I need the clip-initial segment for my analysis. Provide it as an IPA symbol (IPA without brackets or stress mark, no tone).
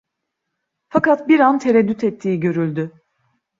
f